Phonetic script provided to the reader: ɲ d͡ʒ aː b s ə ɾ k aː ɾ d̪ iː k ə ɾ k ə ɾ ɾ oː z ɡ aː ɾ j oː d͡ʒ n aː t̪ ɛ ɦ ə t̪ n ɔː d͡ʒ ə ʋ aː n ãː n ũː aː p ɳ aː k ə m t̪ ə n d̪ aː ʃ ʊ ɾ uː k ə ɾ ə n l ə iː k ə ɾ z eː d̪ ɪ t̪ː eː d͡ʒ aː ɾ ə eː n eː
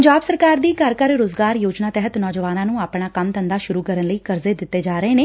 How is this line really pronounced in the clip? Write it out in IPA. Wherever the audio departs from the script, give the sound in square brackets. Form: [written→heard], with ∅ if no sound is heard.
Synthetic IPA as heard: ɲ d͡ʒ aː b s ə ɾ k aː ɾ d̪ iː k ə ɾ k ə ɾ ɾ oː z ɡ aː ɾ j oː d͡ʒ n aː t̪ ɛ ɦ ə t̪ n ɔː d͡ʒ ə ʋ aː n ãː n ũː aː p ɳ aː k ə m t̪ ə n d̪ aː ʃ ʊ ɾ uː k ə ɾ ə n l ə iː k ə ɾ z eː d̪ ɪ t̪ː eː d͡ʒ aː ɾ ə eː n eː